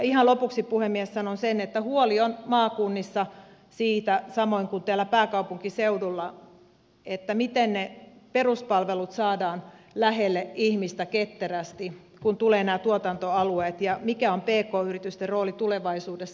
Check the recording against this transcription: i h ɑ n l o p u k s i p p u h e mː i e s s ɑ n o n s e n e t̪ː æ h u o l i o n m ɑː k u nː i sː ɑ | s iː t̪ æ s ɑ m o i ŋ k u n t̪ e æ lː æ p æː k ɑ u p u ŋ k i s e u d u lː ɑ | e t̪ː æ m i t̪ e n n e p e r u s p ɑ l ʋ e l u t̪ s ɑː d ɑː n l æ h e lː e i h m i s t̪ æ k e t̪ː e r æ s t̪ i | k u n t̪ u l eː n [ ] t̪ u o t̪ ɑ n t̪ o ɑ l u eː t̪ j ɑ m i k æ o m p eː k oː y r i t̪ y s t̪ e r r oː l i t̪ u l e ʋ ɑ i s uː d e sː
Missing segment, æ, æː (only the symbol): æː